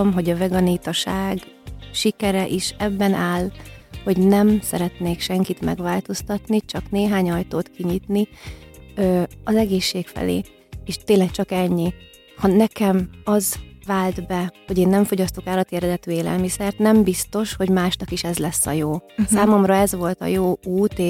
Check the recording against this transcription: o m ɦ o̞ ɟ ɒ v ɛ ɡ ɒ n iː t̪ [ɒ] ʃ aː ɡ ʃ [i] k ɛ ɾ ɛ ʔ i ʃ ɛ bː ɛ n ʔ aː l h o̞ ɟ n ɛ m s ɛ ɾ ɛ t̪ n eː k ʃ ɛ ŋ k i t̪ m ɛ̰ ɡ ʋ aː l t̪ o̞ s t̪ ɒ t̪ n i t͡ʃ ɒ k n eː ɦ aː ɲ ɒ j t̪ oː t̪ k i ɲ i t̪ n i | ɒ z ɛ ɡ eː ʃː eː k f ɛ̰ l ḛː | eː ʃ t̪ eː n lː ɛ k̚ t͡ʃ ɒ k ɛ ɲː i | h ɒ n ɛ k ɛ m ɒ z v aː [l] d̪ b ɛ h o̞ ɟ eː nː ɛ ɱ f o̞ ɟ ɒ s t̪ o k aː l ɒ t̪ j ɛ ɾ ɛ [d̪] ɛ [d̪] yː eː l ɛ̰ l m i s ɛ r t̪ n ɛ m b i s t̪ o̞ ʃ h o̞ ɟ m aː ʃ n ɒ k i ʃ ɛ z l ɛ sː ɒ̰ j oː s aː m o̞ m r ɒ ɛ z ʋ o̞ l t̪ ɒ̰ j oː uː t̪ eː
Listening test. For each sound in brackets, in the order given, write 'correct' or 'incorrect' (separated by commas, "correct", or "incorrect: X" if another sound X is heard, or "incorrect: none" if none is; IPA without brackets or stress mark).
correct, correct, correct, correct, incorrect: t̪